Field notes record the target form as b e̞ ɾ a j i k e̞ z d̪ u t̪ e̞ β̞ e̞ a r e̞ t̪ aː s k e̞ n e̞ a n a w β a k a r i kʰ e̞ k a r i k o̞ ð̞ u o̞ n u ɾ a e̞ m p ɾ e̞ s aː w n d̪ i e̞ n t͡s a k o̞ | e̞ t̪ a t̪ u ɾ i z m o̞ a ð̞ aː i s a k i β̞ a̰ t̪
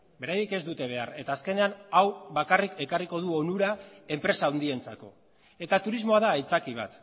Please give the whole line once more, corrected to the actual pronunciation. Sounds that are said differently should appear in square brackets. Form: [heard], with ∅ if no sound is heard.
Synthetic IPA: b e̞ ɾ a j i k e̞ z d̪ u t̪ e̞ β̞ e̞ a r e̞ t̪ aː s k e̞ n e̞ a n a w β a k a r i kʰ e̞ k a r i k o̞ ð̞ u o̞ n u ɾ a e̞ m p ɾ e̞ s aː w n d̪ i e̞ n t͡s a k o̞ | e̞ t̪ a t̪ u ɾ i z m o̞ a ð̞ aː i [t͡s] a k i β̞ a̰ t̪